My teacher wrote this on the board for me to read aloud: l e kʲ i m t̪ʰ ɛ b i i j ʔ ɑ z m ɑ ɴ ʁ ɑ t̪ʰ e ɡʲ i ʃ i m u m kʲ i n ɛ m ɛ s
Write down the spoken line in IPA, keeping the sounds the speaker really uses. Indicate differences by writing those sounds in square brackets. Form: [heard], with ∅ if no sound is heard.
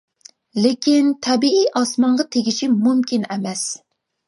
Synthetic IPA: l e kʲ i [n] t̪ʰ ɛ b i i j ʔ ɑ [s] m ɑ ɴ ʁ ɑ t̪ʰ e ɡʲ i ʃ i m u m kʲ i n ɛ m ɛ s